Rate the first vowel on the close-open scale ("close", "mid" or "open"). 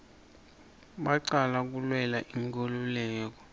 open